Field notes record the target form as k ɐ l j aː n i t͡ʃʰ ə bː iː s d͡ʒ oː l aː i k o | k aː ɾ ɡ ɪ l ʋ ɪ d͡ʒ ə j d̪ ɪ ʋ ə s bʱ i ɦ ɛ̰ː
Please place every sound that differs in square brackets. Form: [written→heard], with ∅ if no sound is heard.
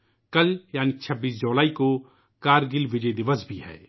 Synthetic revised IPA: k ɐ l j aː n i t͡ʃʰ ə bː iː s d͡ʒ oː l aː i k o | k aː ɾ ɡ ɪ l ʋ ɪ d͡ʒ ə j d̪ ɪ ʋ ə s bʱ i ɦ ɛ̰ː